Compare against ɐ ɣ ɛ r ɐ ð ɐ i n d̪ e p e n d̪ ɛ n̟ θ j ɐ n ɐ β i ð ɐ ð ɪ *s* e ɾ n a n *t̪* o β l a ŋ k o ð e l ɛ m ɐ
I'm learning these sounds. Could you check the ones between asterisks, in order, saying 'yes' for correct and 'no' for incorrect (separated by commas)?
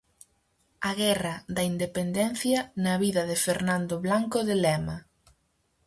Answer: no, no